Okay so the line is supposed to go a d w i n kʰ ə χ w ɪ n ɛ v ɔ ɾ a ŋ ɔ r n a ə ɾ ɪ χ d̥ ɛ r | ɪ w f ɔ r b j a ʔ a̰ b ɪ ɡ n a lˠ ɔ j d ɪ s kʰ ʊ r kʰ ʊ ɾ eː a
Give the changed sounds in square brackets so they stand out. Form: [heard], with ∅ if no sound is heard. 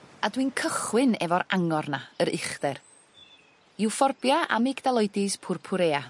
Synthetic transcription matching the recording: a d w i n kʰ ə χ w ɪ n ɛ v ɔ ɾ a ŋ ɔ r n a ə ɾ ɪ χ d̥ ɛ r | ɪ w f ɔ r b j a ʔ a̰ [m] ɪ ɡ [d] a lˠ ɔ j d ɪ s [pʰ] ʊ r [pʰ] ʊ ɾ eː a